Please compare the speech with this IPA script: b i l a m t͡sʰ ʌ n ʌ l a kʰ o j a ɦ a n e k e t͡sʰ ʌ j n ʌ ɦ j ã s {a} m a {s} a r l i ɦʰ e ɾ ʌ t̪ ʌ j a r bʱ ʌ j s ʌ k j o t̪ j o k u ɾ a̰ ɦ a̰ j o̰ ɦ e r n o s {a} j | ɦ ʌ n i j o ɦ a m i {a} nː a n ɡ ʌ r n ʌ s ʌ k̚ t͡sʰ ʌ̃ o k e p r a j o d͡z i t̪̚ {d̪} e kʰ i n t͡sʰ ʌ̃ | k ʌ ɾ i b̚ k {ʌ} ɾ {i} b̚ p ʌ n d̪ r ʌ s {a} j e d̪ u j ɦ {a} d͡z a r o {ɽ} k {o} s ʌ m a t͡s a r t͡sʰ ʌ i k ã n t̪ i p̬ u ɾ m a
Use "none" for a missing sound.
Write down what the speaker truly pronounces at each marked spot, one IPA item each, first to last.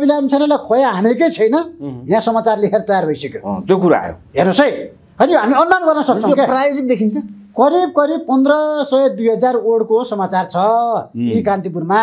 ʌ, t͡s, ʌ, ʌ, d̪, ʌ, i, ʌ, ʌ, ɽ, o

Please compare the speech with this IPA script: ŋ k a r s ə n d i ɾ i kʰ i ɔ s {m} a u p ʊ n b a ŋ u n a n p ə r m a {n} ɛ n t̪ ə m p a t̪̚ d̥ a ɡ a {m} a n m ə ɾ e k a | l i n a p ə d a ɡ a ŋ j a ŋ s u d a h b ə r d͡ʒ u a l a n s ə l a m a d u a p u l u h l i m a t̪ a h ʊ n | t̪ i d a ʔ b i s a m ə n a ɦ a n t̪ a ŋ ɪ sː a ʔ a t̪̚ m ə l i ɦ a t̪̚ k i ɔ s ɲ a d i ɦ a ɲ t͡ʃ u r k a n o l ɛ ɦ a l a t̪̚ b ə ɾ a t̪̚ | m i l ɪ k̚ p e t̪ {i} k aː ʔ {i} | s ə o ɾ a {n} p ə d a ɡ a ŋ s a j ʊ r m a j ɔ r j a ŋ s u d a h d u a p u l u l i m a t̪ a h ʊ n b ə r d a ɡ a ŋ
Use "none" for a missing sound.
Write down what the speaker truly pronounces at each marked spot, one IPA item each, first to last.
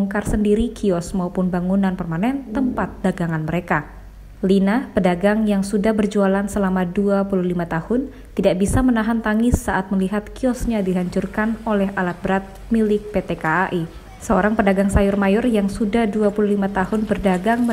m, n, ŋ, e, i, ŋ

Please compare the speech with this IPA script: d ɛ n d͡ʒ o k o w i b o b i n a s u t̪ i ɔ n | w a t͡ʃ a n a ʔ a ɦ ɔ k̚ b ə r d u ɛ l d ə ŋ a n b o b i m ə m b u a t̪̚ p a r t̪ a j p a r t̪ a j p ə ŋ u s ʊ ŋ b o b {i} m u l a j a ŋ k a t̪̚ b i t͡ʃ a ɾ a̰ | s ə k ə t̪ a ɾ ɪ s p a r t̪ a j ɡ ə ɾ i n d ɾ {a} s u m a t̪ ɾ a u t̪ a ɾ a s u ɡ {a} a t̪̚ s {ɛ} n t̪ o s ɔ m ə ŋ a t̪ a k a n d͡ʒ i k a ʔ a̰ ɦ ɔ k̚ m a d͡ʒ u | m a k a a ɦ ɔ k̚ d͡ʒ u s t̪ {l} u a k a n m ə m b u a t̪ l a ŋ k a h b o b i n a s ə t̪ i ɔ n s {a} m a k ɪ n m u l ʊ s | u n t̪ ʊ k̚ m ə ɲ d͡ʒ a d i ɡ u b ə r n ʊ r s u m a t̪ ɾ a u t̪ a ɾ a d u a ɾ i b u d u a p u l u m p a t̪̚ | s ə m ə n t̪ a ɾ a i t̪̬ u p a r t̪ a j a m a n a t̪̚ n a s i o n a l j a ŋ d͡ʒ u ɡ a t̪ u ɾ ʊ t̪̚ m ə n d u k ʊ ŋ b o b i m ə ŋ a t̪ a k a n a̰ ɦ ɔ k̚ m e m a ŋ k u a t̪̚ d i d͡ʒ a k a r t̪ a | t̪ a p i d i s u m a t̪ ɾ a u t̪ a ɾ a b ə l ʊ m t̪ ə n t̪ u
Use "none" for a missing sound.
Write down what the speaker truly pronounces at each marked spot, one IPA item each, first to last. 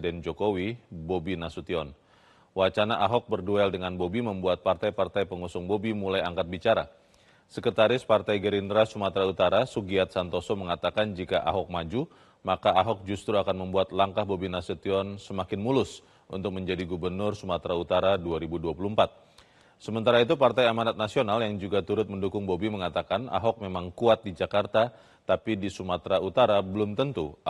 i, a, i, a, ɾ, ə

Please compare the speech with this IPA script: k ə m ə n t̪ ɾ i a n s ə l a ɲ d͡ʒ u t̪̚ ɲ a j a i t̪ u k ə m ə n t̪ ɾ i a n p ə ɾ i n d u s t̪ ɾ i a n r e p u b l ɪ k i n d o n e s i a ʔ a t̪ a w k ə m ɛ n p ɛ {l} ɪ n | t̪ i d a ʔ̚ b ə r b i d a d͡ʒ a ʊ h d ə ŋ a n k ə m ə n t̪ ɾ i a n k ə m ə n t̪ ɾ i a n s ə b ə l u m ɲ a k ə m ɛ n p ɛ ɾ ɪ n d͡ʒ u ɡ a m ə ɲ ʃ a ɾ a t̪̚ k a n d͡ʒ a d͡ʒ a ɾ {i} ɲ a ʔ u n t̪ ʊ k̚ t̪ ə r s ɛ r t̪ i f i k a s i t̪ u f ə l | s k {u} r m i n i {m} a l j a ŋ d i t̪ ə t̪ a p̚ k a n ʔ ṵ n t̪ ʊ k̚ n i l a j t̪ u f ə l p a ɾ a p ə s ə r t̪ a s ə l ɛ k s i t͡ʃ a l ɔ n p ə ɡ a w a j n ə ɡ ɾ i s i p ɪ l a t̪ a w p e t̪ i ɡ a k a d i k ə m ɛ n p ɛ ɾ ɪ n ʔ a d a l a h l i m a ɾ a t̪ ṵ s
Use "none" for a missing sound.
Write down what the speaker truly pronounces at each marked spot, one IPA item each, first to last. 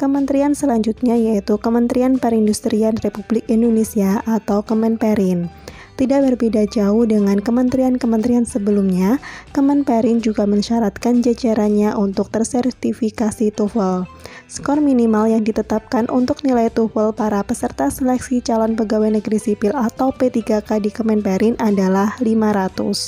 ɾ, a, ɔ, m

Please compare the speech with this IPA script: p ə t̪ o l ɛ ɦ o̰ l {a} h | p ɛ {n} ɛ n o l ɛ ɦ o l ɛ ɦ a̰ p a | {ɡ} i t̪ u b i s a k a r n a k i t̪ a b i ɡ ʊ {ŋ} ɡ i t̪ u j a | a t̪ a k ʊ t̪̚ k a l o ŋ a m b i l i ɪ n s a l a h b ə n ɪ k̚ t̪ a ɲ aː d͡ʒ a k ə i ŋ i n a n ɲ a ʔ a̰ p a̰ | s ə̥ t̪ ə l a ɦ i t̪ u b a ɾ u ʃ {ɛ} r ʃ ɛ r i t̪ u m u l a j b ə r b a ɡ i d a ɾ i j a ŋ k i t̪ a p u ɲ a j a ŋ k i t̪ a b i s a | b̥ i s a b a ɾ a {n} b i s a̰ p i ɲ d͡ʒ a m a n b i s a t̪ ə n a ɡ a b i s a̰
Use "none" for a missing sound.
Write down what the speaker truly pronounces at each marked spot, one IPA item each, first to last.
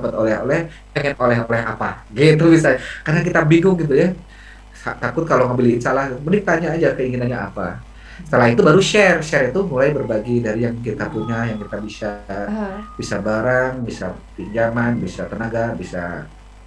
ɛ, ŋ, ɡ, ŋ, ɛ, ŋ

